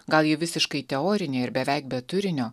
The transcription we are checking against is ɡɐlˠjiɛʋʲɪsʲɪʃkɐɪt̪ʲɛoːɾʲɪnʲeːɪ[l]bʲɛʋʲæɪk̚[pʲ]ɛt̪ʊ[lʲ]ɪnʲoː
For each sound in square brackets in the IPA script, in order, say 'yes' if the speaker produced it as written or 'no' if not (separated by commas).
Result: no, no, no